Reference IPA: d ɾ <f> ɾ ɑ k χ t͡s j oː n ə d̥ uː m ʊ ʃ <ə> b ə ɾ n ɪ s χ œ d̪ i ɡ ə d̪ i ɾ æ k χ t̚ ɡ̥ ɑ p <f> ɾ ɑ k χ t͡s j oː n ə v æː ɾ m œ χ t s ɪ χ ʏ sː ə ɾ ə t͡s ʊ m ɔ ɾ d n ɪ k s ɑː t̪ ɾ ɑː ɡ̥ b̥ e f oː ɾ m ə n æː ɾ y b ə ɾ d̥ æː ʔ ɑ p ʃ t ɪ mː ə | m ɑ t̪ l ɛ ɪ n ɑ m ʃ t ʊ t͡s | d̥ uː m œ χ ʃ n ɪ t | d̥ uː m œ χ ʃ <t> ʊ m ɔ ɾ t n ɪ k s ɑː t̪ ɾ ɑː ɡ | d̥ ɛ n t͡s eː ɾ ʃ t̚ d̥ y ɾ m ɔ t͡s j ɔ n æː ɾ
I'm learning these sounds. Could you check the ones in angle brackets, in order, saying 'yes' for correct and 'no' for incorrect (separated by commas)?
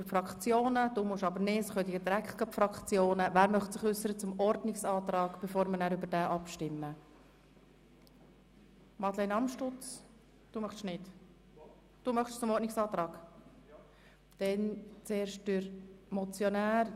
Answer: yes, no, yes, no